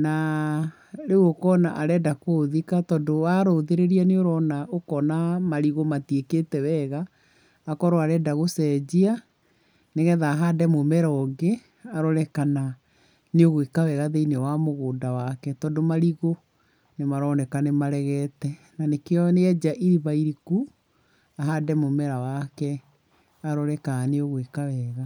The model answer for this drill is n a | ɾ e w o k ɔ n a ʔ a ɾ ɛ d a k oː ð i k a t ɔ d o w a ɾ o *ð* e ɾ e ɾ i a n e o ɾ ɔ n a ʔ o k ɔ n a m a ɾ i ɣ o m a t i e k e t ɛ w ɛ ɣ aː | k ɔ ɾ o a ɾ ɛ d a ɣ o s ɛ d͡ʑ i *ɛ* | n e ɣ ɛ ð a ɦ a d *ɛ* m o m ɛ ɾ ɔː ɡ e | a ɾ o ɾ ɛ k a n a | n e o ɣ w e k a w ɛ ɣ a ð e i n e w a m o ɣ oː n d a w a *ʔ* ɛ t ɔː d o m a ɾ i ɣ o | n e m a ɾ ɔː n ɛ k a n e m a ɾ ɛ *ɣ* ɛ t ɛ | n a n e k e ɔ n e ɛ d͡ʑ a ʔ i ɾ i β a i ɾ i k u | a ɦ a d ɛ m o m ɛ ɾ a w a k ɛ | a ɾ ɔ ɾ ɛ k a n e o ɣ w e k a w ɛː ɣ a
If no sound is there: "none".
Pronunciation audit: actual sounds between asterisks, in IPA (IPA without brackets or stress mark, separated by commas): ð, a, ɛ, k, ɣ